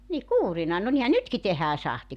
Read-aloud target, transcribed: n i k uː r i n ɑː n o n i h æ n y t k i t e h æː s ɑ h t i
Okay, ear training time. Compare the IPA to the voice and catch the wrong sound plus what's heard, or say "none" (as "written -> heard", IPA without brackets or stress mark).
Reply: ɑː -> ɑ